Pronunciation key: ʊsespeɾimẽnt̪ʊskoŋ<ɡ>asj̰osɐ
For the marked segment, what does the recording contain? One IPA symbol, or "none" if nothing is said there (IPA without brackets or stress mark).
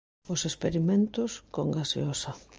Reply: ɡ